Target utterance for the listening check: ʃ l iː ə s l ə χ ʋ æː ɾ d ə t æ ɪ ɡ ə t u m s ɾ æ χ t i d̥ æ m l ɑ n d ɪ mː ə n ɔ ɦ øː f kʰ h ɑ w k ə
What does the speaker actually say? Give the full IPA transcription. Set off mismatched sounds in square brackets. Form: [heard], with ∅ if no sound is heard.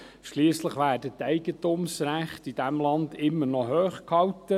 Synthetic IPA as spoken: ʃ l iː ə s l ə χ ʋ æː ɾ d ə t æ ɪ ɡ ə t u m s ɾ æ χ t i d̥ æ m l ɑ n d ɪ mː ə n ɔ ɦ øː [χ] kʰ h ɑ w [t] ə